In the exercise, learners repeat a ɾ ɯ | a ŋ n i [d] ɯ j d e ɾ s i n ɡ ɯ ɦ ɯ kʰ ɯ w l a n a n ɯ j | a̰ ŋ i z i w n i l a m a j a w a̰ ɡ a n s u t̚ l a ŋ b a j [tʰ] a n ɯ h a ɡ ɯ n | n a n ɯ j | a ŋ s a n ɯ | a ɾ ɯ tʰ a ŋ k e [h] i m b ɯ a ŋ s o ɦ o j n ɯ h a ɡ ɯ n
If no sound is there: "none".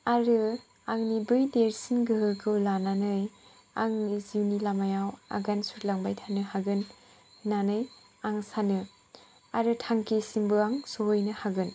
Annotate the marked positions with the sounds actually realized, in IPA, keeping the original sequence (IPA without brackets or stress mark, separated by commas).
b, tʰ, s